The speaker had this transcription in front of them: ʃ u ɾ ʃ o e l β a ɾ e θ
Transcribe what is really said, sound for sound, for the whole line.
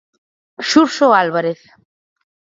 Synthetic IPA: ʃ u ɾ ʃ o a l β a ɾ e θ